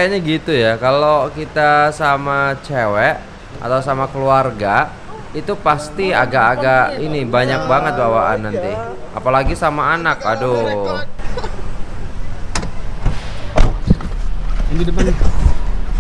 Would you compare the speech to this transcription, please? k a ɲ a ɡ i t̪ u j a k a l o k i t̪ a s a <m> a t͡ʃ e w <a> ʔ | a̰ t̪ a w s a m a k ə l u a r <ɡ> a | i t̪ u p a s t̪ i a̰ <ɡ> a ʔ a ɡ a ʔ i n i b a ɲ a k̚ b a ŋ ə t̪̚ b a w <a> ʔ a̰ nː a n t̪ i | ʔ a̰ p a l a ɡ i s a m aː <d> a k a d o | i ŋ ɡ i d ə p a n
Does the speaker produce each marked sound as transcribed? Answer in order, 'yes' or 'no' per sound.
yes, no, yes, yes, yes, no

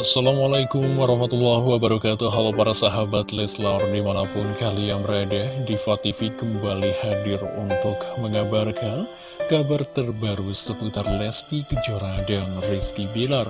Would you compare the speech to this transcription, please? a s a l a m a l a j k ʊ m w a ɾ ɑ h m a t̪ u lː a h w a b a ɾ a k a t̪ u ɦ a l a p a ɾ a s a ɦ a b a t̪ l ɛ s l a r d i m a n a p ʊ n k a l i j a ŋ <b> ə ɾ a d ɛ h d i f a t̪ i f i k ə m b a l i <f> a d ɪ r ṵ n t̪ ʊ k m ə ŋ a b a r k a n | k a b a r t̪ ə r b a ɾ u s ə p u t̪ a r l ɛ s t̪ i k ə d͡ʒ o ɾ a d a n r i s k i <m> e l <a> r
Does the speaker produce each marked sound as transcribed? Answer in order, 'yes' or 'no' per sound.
no, no, no, yes

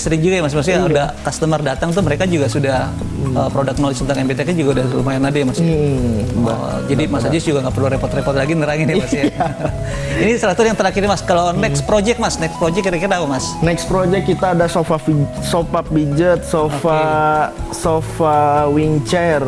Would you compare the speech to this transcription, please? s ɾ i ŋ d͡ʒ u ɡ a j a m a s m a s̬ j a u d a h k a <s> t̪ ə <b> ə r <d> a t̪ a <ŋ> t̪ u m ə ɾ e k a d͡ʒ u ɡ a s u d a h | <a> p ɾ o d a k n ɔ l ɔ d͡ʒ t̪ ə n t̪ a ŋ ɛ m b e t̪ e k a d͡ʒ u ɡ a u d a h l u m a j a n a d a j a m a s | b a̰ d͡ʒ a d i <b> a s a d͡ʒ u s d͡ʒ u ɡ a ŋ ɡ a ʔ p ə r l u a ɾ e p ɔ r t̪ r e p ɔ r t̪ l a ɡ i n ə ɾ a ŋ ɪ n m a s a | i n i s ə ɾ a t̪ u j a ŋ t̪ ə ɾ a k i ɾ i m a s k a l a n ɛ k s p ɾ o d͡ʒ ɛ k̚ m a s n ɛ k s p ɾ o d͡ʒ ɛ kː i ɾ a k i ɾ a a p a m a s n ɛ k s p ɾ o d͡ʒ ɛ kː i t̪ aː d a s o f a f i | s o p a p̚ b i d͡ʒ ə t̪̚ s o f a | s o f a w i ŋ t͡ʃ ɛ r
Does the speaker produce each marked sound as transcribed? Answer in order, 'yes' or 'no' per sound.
yes, no, yes, yes, no, no

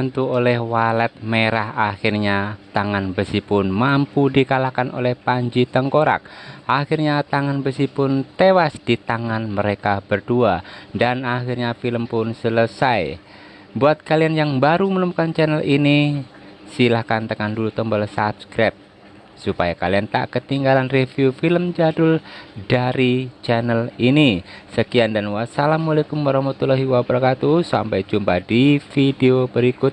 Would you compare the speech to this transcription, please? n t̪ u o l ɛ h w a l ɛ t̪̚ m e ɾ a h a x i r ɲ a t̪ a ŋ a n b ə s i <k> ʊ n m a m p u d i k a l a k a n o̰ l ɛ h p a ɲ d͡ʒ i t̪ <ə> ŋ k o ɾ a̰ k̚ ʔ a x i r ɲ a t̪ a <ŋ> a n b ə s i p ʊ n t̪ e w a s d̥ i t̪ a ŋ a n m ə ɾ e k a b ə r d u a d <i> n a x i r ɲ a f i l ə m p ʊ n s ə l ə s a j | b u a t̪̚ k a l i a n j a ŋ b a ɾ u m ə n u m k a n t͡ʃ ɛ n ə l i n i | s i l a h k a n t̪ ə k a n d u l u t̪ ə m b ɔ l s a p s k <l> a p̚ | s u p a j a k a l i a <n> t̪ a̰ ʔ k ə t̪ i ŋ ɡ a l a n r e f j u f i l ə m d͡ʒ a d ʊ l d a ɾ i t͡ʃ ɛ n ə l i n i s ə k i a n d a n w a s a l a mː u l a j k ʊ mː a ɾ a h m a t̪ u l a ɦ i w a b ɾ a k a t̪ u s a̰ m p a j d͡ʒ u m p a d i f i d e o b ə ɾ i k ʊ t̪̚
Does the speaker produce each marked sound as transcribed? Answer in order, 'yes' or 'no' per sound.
no, yes, yes, no, no, yes

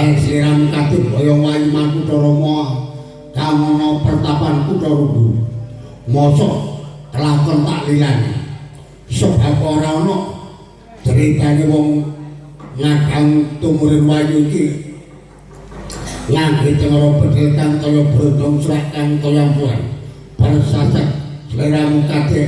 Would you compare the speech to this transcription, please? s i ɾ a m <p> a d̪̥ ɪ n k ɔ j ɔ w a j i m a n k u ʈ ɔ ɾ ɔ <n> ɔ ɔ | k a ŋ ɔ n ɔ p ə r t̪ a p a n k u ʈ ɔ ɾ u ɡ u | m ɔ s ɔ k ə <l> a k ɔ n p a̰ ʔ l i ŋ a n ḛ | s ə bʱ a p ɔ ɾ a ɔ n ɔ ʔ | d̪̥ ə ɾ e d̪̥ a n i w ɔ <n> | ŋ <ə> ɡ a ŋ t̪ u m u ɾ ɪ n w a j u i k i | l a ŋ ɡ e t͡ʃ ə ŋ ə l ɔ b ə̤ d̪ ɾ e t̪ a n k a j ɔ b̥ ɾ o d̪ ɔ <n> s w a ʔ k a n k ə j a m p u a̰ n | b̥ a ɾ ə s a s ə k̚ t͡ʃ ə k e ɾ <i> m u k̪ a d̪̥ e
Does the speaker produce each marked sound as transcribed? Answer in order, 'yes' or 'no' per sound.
no, no, yes, no, no, no, no

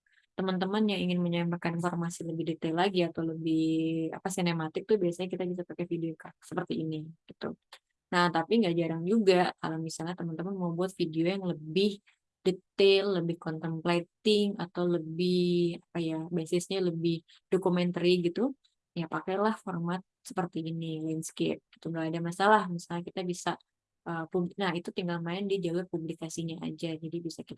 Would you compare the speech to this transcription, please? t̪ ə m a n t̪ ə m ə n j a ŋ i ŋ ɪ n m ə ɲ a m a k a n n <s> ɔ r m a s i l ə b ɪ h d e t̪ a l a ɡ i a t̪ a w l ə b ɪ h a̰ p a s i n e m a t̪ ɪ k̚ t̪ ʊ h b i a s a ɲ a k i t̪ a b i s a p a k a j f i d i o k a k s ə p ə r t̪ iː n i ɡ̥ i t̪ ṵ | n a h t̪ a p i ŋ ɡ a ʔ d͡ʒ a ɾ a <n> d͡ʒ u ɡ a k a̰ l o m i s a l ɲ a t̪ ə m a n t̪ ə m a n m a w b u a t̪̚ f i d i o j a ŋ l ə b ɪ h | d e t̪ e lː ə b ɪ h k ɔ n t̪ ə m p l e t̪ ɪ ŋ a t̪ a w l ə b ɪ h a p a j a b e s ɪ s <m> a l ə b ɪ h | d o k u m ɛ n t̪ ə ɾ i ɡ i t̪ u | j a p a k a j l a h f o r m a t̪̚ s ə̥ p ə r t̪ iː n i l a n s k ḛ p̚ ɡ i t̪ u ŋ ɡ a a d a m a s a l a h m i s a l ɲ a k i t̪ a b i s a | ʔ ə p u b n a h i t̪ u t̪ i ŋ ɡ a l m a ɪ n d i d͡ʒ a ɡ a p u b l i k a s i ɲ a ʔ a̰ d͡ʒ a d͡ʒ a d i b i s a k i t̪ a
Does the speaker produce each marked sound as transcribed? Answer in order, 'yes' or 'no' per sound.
no, no, no

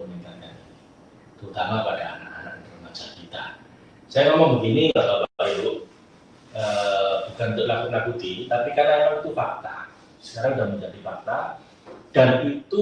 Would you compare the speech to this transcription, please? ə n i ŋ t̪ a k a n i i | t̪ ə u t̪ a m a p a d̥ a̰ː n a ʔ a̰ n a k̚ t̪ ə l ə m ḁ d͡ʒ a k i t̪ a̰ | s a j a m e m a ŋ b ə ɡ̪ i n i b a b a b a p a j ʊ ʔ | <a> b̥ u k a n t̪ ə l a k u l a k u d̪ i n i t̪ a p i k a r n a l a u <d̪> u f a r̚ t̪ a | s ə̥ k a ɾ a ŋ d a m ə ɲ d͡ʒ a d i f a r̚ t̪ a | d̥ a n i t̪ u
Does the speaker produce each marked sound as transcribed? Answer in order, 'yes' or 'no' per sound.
no, no

